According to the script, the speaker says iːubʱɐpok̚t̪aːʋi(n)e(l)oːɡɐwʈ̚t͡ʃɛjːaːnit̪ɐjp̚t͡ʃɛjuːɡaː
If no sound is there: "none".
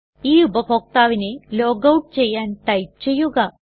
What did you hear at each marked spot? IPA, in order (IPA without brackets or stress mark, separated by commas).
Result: n, l